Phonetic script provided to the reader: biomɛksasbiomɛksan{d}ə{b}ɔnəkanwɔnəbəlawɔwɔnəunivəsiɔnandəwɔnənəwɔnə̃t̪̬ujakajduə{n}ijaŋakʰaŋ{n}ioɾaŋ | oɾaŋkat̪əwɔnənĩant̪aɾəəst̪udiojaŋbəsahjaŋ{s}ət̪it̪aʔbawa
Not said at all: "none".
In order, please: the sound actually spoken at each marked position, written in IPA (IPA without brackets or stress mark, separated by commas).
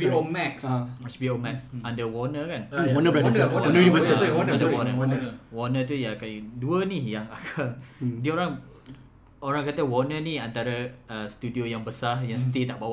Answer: d, w, n, d, s